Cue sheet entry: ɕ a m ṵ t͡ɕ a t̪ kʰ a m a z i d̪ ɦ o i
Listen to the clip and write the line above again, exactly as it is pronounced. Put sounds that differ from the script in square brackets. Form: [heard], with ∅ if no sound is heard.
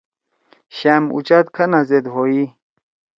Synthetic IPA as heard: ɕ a m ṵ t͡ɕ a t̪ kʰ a [n] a z [e] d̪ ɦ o i